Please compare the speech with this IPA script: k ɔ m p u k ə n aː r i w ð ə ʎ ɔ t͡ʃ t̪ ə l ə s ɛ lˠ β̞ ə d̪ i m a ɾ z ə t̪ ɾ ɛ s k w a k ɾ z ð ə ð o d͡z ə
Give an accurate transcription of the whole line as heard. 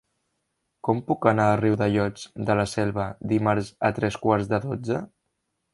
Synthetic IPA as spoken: k ɔ m p u k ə n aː r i w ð ə ʎ ɔ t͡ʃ d̪ ə l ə s ɛ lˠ β̞ ə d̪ i m a ɾ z ə t̪ ɾ ɛ s k w a ɾ z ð ə ð o d͡z ə